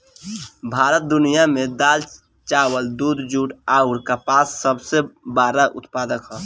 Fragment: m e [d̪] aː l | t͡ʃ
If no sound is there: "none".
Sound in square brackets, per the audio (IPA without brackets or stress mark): d̪